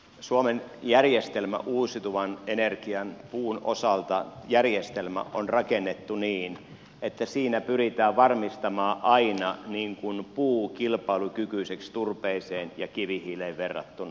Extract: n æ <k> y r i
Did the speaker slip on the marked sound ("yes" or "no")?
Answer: yes